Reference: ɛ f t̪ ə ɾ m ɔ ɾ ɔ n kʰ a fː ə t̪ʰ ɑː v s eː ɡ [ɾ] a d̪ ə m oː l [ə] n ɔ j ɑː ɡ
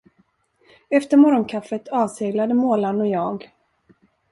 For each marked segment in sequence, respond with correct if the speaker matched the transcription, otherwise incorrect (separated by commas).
incorrect, incorrect